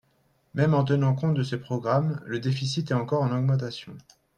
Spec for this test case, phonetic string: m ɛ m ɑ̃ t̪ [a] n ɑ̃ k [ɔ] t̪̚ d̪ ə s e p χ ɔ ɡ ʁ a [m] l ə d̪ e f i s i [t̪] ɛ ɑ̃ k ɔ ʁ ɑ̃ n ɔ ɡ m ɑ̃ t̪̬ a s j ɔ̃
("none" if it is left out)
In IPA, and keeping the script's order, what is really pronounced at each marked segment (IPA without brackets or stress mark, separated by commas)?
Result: ə, ɔ̃, m, t̪